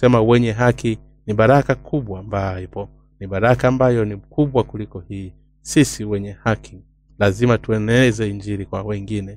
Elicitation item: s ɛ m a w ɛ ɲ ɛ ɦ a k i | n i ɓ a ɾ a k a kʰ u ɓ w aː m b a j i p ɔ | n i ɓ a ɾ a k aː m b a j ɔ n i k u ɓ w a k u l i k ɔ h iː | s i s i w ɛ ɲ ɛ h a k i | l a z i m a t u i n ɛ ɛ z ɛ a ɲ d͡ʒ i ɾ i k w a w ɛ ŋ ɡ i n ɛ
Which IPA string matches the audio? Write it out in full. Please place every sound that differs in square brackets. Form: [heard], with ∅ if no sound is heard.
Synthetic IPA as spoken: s ɛ m a w ɛ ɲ ɛ ɦ a k i | n i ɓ a ɾ a k a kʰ u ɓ w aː m b a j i p ɔ | n i ɓ a ɾ a k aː m b a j ɔ n i k u ɓ w a k u l i k ɔ h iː | s i s i w ɛ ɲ ɛ h a k i | l a z i m a t u [ɛ] n ɛ ɛ z ɛ [i] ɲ d͡ʒ i ɾ i k w a w ɛ ŋ ɡ i n ɛ